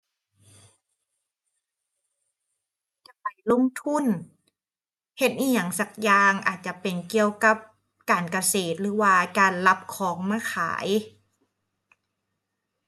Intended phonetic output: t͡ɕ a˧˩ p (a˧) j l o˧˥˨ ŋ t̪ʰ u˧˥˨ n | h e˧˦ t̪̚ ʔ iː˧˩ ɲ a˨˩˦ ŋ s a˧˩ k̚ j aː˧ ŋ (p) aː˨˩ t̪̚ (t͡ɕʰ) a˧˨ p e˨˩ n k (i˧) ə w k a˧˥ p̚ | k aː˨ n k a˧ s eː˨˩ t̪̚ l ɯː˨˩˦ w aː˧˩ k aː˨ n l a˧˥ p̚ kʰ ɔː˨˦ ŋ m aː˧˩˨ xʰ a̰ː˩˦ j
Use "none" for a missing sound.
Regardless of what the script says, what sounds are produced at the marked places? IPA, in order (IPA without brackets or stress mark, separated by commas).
a˨˩, ʔ, t͡ɕ, i˧